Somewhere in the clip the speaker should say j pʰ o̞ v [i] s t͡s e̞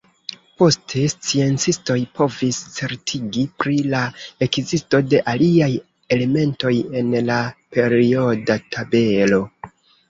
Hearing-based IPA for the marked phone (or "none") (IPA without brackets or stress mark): i